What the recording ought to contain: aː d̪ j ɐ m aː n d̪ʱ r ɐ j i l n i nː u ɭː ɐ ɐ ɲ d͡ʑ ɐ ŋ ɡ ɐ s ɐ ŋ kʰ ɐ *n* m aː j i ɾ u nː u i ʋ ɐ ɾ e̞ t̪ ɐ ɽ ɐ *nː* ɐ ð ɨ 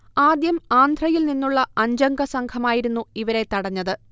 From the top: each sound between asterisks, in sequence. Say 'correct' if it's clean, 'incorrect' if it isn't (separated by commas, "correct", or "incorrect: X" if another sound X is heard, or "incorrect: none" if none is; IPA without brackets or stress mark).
incorrect: none, incorrect: ɲː